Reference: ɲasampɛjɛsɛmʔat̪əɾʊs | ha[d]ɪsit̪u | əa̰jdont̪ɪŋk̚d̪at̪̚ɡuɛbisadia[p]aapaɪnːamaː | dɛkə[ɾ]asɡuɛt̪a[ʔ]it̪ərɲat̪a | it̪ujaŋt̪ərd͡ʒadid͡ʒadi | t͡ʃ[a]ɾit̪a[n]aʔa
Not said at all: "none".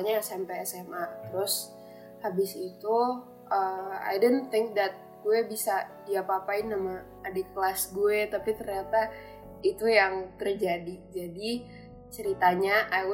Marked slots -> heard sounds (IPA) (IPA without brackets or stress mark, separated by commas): b, p, l, p, ə, ɲ